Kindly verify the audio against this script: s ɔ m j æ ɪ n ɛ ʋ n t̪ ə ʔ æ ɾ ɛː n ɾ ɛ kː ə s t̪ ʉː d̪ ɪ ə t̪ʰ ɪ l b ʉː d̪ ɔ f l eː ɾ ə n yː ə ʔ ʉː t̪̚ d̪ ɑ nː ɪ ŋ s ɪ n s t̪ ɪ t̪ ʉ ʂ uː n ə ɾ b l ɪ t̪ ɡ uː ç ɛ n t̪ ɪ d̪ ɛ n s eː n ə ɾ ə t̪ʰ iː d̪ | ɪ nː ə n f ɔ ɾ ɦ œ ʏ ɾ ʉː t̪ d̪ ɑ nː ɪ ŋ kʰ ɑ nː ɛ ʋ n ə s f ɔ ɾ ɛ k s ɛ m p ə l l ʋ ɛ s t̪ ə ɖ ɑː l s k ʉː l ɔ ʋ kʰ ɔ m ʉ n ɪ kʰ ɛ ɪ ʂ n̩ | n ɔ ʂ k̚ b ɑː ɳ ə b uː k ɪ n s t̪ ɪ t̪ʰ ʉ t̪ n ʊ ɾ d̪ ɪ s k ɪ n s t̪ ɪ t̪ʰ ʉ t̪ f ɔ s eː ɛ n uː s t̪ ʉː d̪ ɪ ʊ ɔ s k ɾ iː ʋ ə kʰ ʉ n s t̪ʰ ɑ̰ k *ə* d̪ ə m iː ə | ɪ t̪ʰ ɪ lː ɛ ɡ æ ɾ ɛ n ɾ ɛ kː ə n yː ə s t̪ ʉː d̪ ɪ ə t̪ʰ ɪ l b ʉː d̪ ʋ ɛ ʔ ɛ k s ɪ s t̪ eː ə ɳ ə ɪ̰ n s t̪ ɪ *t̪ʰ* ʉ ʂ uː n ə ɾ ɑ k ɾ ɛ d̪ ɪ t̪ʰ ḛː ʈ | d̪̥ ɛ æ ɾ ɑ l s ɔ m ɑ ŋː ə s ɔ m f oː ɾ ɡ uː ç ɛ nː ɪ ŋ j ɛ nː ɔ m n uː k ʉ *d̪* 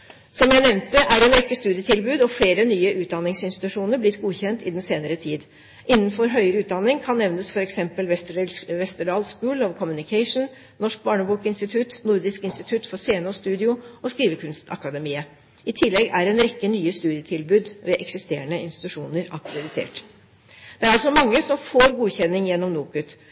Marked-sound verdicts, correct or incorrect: incorrect, incorrect, incorrect

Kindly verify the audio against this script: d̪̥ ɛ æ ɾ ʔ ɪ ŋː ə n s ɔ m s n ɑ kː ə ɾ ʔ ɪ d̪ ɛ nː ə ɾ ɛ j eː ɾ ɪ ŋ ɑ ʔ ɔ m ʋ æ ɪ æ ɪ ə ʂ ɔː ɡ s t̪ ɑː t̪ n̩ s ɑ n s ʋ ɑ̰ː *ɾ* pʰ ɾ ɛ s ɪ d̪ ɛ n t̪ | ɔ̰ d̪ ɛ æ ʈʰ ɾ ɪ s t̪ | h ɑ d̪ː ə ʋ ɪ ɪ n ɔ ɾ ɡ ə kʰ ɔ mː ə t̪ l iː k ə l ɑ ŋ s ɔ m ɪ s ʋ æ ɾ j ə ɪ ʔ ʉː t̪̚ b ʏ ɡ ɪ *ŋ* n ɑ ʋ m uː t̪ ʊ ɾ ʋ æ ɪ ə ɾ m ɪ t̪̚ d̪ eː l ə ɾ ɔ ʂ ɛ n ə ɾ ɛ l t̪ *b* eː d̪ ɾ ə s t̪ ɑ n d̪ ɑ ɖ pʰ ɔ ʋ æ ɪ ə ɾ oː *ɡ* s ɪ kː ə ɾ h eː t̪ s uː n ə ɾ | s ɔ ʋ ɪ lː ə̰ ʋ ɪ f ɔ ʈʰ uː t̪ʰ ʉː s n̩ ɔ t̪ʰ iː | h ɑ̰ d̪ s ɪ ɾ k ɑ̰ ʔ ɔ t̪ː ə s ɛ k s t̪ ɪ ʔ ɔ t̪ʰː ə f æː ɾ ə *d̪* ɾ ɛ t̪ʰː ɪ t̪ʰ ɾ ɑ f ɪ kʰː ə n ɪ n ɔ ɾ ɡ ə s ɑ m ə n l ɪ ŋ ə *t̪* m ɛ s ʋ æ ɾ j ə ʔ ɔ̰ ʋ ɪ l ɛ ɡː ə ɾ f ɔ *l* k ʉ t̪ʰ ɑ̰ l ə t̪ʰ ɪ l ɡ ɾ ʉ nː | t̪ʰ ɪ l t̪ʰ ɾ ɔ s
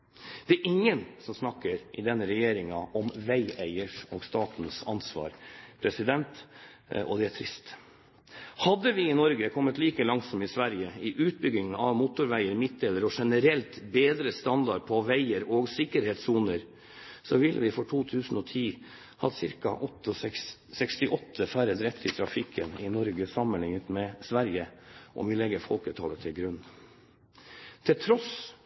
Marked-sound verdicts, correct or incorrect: correct, correct, correct, correct, correct, correct, correct

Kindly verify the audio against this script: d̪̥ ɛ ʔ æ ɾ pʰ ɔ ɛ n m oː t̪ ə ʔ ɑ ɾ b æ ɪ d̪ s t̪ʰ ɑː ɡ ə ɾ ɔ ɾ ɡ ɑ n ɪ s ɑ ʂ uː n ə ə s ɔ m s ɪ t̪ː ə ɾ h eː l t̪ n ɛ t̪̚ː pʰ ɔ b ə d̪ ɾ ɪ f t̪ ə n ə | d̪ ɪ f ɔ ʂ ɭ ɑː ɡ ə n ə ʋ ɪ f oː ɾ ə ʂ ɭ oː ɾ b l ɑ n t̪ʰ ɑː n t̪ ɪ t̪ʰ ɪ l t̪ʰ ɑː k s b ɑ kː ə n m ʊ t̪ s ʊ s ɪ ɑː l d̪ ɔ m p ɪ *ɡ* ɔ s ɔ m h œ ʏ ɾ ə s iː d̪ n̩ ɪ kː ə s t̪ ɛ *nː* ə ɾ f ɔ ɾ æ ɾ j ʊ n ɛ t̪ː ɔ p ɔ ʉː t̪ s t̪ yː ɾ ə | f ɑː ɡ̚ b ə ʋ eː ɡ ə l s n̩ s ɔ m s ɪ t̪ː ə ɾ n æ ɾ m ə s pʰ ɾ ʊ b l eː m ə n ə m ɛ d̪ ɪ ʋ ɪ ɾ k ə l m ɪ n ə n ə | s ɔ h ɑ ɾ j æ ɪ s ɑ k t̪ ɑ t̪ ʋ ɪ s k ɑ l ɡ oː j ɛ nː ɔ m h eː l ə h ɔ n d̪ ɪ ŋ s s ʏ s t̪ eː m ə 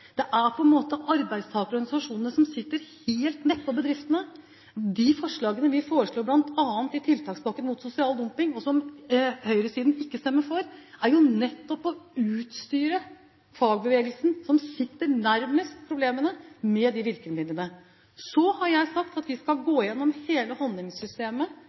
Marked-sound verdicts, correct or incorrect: incorrect, incorrect

